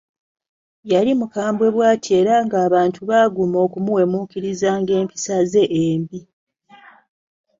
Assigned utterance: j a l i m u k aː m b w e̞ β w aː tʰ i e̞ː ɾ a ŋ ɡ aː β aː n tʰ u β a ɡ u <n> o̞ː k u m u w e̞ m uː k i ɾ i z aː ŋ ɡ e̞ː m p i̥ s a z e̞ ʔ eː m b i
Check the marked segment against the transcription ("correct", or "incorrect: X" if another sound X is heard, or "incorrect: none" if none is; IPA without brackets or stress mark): incorrect: m